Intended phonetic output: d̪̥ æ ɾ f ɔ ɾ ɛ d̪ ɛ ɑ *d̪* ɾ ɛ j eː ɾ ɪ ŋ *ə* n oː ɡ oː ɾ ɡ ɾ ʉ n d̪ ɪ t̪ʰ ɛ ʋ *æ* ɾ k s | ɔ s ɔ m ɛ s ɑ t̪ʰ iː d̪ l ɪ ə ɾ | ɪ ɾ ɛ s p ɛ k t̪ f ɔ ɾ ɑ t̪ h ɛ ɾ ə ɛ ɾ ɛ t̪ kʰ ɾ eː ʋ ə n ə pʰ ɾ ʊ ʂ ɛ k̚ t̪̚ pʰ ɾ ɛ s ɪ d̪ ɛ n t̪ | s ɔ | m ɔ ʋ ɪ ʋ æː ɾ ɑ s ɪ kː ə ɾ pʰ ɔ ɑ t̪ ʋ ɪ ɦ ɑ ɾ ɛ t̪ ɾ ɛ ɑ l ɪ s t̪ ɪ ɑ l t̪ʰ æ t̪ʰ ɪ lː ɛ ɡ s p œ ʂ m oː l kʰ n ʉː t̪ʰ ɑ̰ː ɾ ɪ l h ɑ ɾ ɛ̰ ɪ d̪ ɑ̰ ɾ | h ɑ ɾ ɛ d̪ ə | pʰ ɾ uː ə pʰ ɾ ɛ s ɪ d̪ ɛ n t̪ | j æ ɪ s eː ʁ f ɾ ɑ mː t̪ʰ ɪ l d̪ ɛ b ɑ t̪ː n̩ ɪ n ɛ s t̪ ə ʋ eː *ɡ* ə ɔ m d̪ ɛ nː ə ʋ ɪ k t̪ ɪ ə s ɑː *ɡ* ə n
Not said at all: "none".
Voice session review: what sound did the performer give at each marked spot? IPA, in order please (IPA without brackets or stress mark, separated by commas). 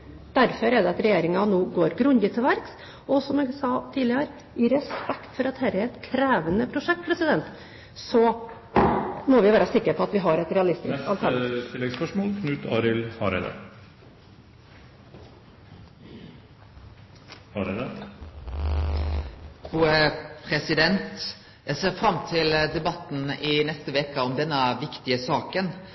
t̪, ɑ, æ, k, k